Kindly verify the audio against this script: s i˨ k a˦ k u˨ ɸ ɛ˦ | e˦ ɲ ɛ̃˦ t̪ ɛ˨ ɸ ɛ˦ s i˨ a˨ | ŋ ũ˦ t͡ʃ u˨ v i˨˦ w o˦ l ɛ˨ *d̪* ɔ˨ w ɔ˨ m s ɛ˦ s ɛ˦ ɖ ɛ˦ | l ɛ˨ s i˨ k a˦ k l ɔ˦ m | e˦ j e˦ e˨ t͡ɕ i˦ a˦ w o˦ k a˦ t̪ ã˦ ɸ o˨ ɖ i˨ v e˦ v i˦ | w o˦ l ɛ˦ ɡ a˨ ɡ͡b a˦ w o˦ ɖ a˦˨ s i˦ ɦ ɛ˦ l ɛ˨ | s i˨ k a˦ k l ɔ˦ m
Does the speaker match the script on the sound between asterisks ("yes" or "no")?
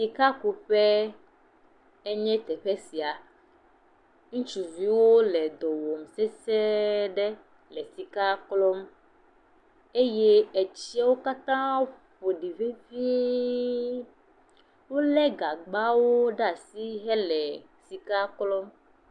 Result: yes